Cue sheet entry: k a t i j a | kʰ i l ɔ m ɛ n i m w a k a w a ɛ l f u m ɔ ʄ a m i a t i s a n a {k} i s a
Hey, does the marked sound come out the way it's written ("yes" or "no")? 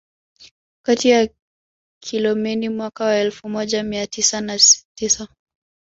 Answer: no